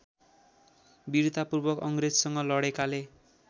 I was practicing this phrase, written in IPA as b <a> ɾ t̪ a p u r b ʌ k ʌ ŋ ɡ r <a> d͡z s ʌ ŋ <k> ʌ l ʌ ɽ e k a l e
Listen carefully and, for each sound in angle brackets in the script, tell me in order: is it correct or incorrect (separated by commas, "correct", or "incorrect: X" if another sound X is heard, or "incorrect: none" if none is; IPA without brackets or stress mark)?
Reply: incorrect: i, incorrect: e, incorrect: ɡ